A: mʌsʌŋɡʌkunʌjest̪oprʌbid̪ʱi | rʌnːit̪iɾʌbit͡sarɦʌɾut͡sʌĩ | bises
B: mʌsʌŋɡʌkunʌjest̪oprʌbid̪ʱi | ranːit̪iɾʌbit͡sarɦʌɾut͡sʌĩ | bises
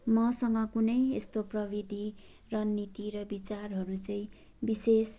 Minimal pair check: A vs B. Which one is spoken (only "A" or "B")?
A